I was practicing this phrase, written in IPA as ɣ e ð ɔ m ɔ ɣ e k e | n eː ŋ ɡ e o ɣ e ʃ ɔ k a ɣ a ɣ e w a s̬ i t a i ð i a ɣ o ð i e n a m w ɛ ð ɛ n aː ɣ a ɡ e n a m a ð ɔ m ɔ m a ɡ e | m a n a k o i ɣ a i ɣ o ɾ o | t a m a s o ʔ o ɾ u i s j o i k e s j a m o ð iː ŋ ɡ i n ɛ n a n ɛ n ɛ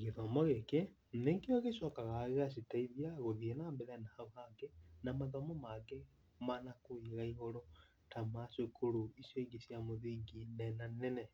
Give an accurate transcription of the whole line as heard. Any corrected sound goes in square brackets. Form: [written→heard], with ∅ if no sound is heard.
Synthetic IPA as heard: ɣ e ð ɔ m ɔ ɣ e k e | n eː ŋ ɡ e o ɣ e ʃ ɔ k a ɣ a ɣ e [w→ɣ] a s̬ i t a i ð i a ɣ o ð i e n a m [w→b] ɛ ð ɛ n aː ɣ a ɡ e n a m a ð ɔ m ɔ m a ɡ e | m a n a k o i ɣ a i ɣ o ɾ o | t a m a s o [ʔ→k] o ɾ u i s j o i [k→ɡ] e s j a m o ð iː ŋ ɡ i n ɛ n a n ɛ n ɛ